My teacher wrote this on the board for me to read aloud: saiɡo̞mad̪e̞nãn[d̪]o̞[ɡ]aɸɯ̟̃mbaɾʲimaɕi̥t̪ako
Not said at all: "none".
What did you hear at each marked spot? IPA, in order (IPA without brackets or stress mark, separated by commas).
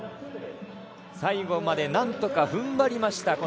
t̪, k